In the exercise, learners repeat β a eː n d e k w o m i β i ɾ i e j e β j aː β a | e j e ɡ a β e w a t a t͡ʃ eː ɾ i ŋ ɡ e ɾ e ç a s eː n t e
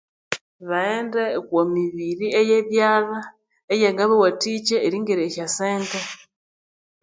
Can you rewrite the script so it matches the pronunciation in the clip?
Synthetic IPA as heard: β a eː n d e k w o m i β i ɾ i e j e β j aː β a | e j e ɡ a β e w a t i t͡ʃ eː ɾ i ŋ ɡ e ɾ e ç a s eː n t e